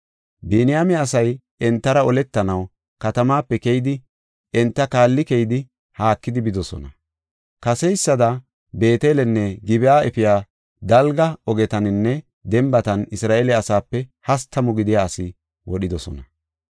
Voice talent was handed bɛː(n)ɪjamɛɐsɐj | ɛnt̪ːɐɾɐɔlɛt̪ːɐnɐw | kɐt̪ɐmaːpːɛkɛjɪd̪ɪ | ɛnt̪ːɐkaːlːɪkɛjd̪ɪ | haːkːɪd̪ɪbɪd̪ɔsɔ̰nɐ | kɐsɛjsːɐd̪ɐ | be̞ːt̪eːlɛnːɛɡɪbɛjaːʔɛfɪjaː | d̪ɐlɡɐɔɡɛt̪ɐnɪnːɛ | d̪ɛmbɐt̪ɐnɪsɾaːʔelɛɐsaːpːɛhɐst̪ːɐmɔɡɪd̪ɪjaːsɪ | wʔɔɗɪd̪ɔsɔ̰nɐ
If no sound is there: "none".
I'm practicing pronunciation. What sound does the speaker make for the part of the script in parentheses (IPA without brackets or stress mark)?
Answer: n